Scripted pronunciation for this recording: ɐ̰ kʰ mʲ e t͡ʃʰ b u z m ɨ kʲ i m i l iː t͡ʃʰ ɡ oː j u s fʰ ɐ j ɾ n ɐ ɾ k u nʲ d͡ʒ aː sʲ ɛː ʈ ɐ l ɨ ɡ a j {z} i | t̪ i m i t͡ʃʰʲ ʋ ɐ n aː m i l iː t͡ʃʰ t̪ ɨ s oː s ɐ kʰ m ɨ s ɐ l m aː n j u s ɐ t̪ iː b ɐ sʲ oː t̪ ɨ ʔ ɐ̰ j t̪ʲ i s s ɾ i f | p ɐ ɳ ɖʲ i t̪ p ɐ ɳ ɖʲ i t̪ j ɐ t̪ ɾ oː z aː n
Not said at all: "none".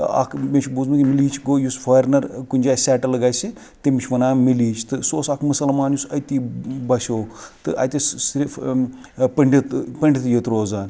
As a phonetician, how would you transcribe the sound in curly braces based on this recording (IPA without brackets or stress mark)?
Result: s